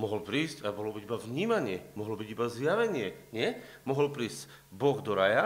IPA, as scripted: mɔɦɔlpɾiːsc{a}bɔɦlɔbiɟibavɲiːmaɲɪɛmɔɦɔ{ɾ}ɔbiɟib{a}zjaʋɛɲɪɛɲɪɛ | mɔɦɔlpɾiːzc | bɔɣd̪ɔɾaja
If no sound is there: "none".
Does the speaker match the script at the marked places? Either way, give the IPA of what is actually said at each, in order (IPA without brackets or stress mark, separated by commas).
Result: a, l, a